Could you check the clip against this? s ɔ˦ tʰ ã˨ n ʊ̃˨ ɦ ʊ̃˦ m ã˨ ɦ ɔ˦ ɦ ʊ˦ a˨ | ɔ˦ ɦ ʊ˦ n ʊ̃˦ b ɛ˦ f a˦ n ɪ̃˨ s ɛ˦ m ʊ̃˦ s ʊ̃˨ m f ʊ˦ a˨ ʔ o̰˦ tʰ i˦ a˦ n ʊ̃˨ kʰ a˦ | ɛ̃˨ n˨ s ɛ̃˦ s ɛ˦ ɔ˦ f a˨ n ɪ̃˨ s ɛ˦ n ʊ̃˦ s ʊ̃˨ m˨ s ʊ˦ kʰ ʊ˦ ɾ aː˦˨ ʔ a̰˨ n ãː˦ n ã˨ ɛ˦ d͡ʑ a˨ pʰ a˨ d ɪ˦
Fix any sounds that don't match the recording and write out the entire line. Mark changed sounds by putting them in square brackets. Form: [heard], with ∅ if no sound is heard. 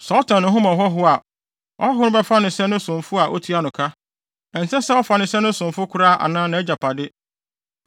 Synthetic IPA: s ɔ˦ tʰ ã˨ n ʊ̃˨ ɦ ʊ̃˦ m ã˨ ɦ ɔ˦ ɦ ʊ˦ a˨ | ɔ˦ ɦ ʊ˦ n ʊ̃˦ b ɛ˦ f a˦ n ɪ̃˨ s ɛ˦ [n] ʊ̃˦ s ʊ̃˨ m f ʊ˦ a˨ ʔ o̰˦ tʰ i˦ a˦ n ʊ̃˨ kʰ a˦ | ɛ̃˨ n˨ s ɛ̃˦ s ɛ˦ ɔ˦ f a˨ n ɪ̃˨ s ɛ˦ n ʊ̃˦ s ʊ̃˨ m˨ [f] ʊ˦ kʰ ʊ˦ ɾ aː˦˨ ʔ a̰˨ n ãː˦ n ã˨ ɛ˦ d͡ʑ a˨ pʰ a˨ d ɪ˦